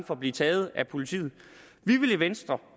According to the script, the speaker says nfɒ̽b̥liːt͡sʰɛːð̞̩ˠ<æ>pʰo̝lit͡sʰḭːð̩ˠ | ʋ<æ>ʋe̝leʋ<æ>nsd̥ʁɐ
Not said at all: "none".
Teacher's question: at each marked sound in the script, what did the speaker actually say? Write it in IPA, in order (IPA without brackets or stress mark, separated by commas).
æ, i, e